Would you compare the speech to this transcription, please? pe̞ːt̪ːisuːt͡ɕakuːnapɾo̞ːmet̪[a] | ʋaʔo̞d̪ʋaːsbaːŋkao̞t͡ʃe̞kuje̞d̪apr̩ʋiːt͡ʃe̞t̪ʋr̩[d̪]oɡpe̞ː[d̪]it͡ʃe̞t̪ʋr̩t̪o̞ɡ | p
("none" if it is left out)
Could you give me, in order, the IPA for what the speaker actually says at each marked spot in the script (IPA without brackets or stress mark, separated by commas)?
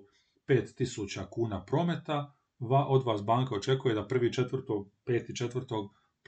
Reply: a, t̪, t̪